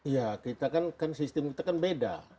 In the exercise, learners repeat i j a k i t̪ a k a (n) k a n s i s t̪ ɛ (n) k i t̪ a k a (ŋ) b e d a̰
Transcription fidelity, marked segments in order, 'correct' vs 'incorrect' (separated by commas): correct, incorrect, incorrect